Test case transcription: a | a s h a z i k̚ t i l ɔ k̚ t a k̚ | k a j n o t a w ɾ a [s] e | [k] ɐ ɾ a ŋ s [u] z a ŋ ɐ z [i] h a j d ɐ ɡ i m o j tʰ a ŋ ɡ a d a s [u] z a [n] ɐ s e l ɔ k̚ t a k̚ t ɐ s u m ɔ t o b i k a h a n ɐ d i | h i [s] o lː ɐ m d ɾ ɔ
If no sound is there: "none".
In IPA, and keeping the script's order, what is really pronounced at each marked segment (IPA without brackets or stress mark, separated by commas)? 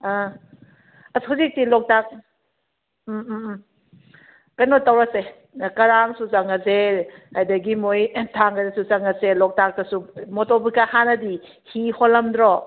s, k, u, e, u, ŋ, h